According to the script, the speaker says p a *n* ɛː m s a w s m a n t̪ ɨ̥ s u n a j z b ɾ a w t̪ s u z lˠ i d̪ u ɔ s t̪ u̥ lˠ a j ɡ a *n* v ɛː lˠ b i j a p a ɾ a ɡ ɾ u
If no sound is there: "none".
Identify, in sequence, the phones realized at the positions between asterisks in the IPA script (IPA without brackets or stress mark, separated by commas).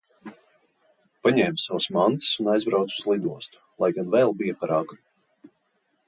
ɲ, n